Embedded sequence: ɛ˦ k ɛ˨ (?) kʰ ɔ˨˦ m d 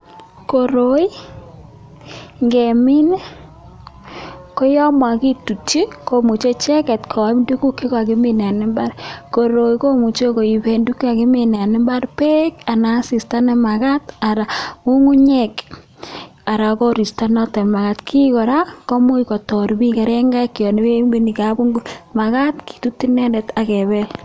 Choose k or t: t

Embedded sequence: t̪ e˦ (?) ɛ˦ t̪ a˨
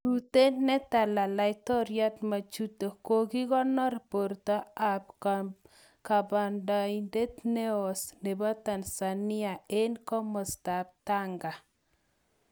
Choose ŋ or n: n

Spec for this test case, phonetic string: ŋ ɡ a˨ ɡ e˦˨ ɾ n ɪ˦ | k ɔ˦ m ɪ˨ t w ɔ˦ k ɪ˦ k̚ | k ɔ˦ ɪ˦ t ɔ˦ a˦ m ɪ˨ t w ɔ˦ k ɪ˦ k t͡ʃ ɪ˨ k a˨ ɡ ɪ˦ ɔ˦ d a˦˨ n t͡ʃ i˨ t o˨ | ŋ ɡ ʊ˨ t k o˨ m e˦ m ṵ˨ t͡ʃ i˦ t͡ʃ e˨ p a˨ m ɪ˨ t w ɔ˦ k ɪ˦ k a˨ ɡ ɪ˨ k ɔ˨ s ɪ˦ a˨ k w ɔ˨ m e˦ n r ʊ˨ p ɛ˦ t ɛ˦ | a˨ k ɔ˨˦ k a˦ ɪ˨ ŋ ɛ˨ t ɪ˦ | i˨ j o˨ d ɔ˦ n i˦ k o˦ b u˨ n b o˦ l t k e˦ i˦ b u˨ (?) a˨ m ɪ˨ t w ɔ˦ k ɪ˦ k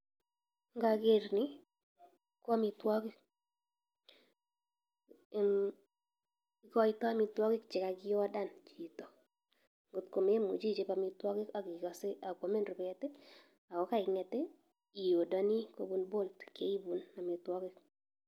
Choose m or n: n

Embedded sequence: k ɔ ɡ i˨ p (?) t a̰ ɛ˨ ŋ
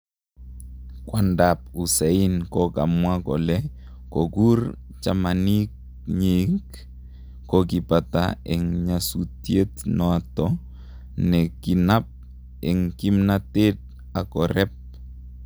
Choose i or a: a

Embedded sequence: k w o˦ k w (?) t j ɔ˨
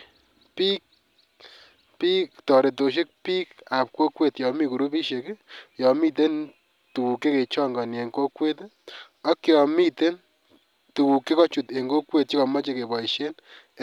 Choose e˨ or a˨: e˨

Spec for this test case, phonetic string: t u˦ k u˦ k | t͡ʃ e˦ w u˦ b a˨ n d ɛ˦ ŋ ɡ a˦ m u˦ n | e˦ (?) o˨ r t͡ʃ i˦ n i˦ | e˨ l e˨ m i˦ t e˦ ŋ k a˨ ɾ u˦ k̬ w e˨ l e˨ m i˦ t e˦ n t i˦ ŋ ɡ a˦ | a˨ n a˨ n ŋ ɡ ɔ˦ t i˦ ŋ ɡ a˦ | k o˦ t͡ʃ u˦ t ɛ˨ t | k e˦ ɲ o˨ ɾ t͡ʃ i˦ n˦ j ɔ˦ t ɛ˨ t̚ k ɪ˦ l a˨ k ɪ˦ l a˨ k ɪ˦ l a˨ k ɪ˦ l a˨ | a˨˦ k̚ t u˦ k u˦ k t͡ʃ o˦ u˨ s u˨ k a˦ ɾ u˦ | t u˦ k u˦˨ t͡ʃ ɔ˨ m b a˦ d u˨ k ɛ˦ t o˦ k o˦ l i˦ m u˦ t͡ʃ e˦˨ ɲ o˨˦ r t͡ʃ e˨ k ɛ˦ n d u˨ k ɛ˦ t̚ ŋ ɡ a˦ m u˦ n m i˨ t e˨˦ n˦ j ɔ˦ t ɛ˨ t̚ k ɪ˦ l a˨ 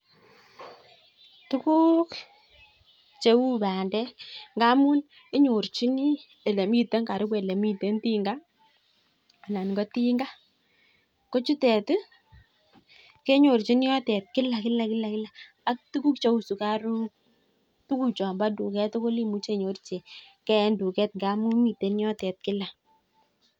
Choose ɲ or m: ɲ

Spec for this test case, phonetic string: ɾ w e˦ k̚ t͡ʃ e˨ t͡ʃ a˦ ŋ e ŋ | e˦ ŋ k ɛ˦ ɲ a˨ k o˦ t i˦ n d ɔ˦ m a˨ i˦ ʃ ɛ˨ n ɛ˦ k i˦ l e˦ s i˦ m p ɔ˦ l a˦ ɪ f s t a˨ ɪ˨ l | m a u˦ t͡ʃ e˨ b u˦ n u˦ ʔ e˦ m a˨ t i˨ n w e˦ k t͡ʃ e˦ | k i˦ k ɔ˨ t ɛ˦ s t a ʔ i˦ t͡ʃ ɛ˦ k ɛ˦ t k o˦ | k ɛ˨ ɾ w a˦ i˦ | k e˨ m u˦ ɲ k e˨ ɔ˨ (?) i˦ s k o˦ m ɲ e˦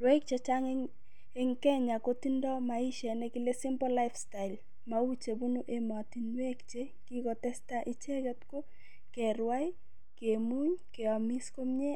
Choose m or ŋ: m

